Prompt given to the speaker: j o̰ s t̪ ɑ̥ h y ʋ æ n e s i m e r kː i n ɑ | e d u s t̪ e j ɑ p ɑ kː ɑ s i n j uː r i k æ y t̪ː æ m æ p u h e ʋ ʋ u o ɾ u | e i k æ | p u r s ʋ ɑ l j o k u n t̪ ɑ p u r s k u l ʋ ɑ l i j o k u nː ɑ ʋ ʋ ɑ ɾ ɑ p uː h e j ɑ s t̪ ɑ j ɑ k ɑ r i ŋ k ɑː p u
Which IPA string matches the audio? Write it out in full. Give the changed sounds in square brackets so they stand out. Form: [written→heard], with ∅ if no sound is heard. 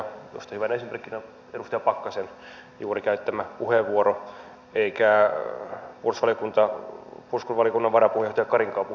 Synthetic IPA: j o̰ s t̪ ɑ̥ h y ʋ æ n e s i m e r kː i n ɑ | e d u s t̪ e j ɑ p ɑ kː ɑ s [i→e] n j uː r i k æ y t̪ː æ m æ p u h e ʋ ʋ u o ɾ [u→o] | e i k æ | p u r s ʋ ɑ l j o k u n t̪ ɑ p u r s k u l ʋ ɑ l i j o k u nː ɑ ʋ ʋ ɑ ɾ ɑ p [uː→u] h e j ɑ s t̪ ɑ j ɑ k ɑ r i ŋ k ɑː p u

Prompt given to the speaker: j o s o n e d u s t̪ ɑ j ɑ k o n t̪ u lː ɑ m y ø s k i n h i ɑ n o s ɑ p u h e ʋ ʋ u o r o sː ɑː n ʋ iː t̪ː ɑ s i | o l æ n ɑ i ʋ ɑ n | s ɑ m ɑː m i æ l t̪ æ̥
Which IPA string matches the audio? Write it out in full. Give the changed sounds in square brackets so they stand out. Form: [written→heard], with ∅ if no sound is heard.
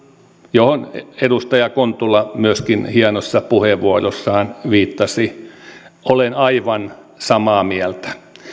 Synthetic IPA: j o [s→h] o n e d u s t̪ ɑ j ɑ k o n t̪ u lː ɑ m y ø s k i n h i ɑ n o [s→sː] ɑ p u h e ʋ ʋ u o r o sː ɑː n ʋ iː t̪ː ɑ s i | o l [æ→e] n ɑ i ʋ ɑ n | s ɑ m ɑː m i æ l t̪ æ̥

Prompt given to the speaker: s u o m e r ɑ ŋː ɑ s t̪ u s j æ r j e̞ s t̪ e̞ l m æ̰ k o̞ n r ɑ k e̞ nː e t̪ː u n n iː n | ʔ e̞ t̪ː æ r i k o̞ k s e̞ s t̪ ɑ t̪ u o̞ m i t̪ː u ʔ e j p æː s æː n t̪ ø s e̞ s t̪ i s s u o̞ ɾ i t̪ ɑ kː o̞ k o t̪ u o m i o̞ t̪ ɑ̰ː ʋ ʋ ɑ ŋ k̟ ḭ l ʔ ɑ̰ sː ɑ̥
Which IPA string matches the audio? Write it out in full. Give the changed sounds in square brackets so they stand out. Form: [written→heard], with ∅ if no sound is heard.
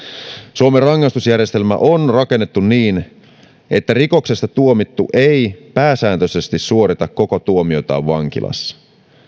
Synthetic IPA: s u o m e r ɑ ŋː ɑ s t̪ u s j æ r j e̞ s t̪ e̞ l m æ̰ [k→ʔ] o̞ n r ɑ k e̞ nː e t̪ː u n n iː n | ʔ e̞ t̪ː æ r i k o̞ k s e̞ s t̪ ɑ t̪ u o̞ m i t̪ː u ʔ e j p æː s æː n t̪ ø s e̞ s t̪ i s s u o̞ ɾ i t̪ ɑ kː o̞ k o t̪ u o m i o̞ t̪ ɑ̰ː ʋ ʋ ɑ ŋ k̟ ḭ l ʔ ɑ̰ sː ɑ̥

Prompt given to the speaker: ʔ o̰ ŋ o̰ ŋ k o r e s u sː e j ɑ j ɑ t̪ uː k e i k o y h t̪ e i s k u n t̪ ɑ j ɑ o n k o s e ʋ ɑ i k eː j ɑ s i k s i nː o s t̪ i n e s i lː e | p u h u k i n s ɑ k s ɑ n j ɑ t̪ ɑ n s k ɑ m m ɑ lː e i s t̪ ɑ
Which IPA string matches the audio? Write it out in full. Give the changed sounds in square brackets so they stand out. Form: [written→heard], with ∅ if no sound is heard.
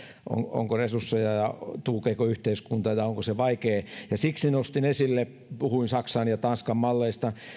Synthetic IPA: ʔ o̰ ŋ o̰ ŋ k o r e s u sː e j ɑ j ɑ t̪ uː k e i k o y h t̪ e i s k u n t̪ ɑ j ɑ o [n→ŋ] k o s e ʋ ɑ i k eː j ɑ s i k s i [nː→n] o s t̪ i n e s i lː e | p u h u [k→∅] i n s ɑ k s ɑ n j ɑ t̪ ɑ n s k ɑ m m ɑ lː e i s t̪ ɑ

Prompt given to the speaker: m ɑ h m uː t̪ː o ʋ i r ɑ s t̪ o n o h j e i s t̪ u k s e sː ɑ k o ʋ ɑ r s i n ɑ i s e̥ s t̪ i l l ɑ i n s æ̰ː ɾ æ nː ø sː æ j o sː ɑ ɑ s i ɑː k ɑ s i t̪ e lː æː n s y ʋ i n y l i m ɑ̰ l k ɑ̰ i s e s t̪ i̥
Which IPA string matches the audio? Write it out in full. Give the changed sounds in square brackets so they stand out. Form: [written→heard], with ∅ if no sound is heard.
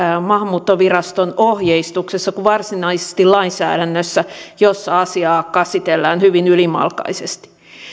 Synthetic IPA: m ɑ h m uː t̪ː o ʋ i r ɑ s t̪ o n o h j e i s t̪ u k s e sː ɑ k [o→u] ʋ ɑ r s i n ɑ i s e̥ s t̪ i l l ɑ i n s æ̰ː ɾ æ nː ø sː æ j o sː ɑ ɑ s i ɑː k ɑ s i t̪ e lː æː n [s→h] y ʋ i n y l i m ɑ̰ l k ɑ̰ i s e s t̪ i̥

